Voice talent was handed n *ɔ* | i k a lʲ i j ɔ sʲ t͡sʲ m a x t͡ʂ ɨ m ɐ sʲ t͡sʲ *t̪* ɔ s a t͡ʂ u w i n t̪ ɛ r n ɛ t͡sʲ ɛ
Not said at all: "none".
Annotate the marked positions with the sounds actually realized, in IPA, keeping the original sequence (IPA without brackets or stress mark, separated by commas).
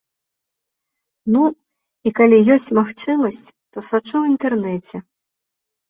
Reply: u, t̪